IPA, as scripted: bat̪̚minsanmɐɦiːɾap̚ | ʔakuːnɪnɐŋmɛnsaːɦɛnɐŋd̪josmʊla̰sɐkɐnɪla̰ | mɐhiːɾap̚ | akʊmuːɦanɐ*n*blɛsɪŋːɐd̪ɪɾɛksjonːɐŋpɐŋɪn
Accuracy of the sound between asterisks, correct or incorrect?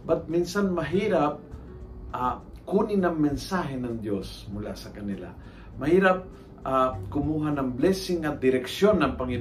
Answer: incorrect